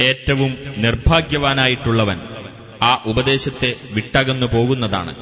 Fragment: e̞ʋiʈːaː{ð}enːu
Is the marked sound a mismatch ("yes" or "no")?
yes